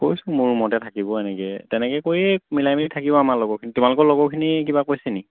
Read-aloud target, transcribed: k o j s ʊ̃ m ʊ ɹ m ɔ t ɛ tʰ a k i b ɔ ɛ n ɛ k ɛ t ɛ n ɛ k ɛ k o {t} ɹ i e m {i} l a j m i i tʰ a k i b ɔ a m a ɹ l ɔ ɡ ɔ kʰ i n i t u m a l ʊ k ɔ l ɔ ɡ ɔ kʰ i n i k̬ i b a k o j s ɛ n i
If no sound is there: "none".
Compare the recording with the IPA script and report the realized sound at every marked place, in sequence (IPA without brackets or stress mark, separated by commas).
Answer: none, i